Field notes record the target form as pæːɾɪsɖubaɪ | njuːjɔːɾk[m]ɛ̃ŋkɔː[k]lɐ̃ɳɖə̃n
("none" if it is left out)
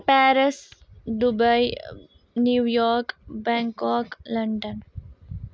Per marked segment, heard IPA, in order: b, k

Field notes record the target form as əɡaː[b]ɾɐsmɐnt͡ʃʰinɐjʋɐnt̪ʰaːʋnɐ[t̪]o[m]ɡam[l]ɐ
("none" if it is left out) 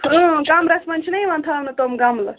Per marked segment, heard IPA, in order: m, t̪, m, l

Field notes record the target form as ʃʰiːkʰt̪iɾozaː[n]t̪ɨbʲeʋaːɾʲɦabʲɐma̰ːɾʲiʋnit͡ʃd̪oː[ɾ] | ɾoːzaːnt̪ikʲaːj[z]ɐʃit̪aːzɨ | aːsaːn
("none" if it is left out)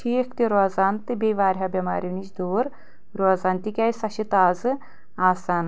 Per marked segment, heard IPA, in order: n, ɾ, s

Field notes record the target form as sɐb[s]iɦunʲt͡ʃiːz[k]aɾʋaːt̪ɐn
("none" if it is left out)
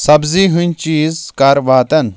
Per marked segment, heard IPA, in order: z, k

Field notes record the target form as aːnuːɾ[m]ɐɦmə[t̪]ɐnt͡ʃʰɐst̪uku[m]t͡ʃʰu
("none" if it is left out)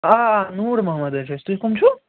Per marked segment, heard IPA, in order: m, d̪, m

